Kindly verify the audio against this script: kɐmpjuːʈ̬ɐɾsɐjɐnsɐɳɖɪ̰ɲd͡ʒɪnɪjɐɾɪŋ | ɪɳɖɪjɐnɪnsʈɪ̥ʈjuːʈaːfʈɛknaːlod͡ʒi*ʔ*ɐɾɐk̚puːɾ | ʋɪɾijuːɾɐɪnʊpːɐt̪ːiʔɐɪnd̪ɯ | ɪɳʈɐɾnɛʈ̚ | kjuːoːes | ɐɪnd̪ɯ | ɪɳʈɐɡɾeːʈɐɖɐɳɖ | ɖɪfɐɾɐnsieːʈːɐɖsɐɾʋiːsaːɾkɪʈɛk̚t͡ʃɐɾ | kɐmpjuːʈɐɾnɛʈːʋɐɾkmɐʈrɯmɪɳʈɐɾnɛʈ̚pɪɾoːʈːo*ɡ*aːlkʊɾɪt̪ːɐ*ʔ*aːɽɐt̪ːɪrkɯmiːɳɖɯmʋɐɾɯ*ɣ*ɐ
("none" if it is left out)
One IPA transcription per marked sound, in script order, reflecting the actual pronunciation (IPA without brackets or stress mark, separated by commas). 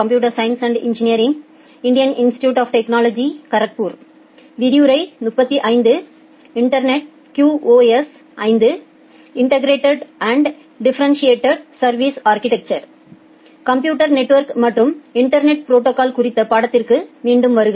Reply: k, k, p, ɣ